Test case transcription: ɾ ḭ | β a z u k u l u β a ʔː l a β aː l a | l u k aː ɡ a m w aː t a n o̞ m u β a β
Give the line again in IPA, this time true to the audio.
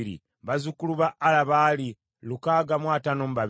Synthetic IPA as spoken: ɾ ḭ | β a z u k u l u β a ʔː l a β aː l i | l u k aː ɡ a m w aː t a n o̞ m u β a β